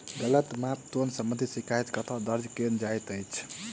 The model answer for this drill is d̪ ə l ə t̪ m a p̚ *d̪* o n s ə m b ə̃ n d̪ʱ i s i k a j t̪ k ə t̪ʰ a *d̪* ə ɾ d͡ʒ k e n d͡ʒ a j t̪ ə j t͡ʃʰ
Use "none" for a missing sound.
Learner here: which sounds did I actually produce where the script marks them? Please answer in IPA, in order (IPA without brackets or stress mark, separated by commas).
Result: t̪, d̪